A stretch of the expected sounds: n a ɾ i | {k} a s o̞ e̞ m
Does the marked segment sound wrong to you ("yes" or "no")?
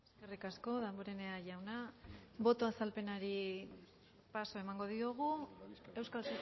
yes